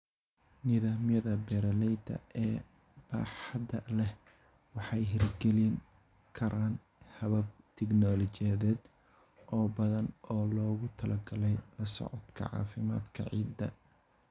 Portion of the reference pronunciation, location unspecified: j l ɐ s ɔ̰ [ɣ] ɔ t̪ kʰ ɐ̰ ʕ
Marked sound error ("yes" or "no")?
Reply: yes